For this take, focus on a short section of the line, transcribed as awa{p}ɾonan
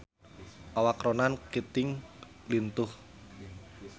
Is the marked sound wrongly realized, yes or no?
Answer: yes